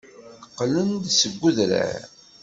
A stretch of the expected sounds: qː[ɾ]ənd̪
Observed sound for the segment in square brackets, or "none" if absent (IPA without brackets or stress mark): l